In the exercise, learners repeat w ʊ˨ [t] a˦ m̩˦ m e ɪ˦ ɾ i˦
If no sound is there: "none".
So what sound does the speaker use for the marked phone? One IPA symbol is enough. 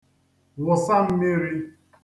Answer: s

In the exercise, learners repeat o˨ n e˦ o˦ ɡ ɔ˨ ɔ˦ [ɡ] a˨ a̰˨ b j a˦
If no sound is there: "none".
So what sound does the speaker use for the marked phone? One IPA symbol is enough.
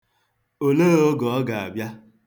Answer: ɡ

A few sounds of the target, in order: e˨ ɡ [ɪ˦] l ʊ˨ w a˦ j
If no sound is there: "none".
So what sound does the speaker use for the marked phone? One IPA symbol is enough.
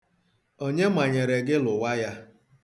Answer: ɪ˦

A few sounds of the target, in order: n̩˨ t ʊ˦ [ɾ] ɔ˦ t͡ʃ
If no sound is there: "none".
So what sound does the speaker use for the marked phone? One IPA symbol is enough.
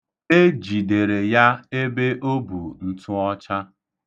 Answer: none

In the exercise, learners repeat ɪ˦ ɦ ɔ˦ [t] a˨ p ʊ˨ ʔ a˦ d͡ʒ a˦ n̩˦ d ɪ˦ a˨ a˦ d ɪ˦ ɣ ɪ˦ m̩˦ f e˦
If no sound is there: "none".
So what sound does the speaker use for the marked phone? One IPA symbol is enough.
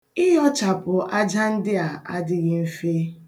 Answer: t͡ʃ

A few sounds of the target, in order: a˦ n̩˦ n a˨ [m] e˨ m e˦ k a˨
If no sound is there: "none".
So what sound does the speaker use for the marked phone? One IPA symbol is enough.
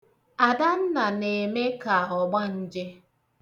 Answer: n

